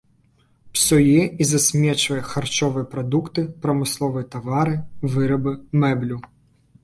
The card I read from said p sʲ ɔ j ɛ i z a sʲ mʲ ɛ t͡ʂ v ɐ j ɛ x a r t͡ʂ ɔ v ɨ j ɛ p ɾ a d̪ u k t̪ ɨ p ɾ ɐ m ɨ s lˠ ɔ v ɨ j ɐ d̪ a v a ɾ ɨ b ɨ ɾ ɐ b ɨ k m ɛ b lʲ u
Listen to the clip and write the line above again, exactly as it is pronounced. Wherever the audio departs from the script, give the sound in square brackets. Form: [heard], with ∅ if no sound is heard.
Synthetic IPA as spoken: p sʲ ɔ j ɛ i z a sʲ mʲ ɛ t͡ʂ v ɐ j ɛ x a r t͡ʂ ɔ v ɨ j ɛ p ɾ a d̪ u k t̪ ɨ p ɾ ɐ m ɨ s lˠ ɔ v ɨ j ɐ [t̪] a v a ɾ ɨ [v] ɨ ɾ ɐ b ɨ [∅] m ɛ b lʲ u